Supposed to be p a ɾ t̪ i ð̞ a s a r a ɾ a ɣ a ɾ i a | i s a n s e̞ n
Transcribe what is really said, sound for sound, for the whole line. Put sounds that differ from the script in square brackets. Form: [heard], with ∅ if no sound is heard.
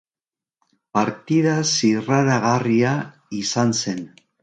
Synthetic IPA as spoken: p a ɾ t̪ i ð̞ a s [i] r a ɾ a ɣ a [r] i a | i s a n s e̞ n